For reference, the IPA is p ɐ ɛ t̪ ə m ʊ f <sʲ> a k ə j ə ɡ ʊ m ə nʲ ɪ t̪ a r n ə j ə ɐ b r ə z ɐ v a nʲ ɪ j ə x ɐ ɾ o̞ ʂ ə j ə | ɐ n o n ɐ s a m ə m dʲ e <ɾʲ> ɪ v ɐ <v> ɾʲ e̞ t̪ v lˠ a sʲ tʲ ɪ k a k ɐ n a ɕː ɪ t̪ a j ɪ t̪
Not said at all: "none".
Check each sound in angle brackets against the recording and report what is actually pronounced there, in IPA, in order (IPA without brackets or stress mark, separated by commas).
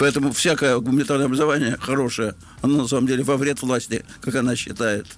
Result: sʲ, lʲ, v